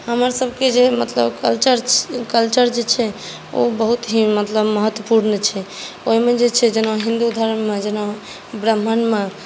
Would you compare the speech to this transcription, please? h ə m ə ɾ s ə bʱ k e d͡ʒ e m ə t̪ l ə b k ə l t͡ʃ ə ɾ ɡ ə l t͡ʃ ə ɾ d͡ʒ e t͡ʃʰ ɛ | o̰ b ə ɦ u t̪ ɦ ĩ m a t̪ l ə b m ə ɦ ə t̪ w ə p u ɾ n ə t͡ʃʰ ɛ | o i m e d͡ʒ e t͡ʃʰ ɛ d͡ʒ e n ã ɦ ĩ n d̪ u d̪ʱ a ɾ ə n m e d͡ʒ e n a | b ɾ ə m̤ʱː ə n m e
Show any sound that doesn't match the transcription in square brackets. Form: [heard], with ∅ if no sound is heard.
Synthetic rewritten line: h ə m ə ɾ s ə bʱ k e d͡ʒ e m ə t̪ l ə b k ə l t͡ʃ ə ɾ [k] ə l t͡ʃ ə ɾ d͡ʒ e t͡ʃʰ ɛ | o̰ b ə ɦ u t̪ ɦ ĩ m [ə] t̪ l ə b m ə ɦ ə t̪ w ə p u ɾ n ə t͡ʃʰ ɛ | o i m e d͡ʒ e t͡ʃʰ ɛ d͡ʒ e n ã ɦ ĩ n d̪ u d̪ʱ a ɾ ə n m e d͡ʒ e n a | b ɾ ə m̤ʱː ə n m e

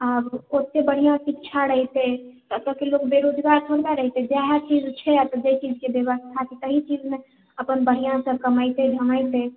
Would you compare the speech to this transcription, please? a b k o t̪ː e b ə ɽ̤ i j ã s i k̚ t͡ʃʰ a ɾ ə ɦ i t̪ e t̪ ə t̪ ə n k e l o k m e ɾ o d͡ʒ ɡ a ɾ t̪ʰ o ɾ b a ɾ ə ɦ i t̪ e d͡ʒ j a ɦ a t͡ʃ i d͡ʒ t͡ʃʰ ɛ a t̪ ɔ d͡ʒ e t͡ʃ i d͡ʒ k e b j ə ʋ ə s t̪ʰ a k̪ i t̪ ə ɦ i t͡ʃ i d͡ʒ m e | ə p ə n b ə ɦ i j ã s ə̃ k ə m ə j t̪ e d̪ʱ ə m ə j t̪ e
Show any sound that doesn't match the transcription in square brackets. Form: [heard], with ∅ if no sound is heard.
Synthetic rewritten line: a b k o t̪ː e b ə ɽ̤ i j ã s i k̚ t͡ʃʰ a ɾ ə ɦ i t̪ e t̪ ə t̪ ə [∅] k e l o k [b] e ɾ o d͡ʒ ɡ a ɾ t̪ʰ o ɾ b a ɾ ə ɦ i t̪ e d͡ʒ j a ɦ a t͡ʃ i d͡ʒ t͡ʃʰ ɛ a t̪ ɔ d͡ʒ e t͡ʃ i d͡ʒ k e b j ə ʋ ə s t̪ʰ a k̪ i t̪ ə ɦ i t͡ʃ i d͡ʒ m e | ə p ə n b ə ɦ i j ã s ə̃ k ə m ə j t̪ e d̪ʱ ə m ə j t̪ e

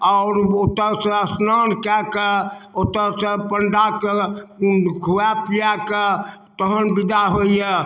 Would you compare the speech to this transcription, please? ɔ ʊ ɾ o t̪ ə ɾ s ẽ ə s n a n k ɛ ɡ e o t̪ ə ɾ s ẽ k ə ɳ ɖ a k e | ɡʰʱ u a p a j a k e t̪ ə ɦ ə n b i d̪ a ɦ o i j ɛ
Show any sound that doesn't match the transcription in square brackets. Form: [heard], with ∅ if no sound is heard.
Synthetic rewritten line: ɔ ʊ ɾ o t̪ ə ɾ s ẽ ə s n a n k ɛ [k] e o t̪ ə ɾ s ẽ [p] ə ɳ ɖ a k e | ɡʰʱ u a p [i] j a k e t̪ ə ɦ ə n b i d̪ a ɦ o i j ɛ

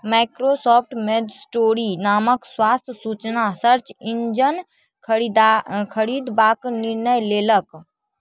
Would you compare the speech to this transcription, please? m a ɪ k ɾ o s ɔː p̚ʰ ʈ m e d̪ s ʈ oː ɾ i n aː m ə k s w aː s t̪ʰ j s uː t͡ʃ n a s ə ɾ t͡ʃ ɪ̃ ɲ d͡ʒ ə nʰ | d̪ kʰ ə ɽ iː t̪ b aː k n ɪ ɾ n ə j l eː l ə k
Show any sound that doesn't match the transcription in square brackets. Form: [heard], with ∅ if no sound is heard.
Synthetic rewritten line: m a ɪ k ɾ o s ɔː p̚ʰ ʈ m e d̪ s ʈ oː ɾ i n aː m ə k s w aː s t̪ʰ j s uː t͡ʃ n a s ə ɾ t͡ʃ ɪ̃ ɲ d͡ʒ ə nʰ | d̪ kʰ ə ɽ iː [d̪] b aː k n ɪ ɾ n ə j l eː l ə k

